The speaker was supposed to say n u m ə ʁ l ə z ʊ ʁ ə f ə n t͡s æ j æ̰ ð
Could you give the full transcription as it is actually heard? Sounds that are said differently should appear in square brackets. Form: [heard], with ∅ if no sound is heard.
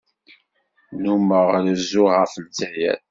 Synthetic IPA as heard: n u m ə ʁ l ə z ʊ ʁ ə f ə n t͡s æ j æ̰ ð